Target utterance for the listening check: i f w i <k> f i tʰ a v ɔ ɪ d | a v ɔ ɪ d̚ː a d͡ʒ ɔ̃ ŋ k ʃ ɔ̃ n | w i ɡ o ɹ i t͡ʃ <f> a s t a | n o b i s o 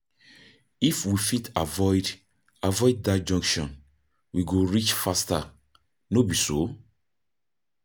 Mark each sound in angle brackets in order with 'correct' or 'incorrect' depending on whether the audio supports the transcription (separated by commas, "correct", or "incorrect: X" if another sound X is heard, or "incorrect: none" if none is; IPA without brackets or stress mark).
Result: incorrect: none, correct